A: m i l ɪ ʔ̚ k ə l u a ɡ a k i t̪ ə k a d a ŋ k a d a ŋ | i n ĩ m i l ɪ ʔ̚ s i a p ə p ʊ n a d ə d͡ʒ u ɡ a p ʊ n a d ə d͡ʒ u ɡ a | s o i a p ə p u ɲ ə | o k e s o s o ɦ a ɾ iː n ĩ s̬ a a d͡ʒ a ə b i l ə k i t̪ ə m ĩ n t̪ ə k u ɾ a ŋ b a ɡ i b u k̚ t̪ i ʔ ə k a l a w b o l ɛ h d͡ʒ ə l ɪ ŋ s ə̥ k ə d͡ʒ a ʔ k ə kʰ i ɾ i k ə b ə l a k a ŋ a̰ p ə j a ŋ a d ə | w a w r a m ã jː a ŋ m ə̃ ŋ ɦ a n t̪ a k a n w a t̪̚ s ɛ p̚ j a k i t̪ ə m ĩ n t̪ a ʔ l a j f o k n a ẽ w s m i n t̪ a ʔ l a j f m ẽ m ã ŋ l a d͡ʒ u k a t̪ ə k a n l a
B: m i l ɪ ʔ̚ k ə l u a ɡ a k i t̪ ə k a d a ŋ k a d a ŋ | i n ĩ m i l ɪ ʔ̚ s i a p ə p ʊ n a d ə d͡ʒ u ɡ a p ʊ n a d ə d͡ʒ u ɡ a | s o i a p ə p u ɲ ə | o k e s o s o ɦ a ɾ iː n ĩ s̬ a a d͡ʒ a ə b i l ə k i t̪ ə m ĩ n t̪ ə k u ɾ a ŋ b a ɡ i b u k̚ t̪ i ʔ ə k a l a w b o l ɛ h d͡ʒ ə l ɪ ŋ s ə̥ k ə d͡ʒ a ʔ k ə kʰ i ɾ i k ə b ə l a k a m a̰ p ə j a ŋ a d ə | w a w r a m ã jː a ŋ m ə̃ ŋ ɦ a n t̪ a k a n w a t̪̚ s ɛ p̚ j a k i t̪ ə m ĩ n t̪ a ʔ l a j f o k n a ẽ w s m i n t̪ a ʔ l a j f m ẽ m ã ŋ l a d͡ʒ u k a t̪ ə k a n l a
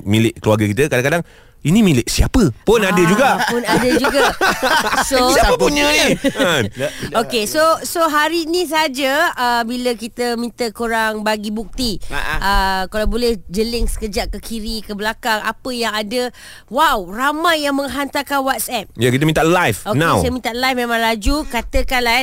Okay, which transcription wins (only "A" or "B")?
A